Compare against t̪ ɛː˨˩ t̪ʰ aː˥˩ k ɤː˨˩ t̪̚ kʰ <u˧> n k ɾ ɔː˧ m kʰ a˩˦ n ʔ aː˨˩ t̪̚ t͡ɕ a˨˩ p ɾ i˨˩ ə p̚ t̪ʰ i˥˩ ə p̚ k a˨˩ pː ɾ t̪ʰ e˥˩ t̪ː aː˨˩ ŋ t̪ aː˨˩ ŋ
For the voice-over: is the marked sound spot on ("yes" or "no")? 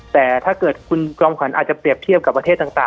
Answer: yes